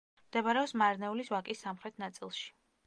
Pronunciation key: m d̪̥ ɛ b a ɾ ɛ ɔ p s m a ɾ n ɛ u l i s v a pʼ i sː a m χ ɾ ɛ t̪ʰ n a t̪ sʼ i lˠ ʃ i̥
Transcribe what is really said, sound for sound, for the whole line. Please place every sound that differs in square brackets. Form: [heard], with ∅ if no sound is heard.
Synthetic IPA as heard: m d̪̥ ɛ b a ɾ ɛ ɔ p s m a ɾ n ɛ u l i s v a [kʼ] i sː a m χ ɾ ɛ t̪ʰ n a t̪ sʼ i lˠ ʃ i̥